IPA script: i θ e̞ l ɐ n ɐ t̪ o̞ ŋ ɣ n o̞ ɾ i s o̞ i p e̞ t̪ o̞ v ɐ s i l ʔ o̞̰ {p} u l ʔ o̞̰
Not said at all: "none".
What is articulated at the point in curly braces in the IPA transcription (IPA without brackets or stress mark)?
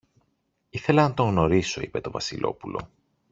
p